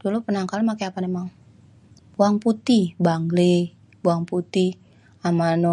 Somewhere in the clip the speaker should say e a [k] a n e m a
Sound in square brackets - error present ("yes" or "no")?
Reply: yes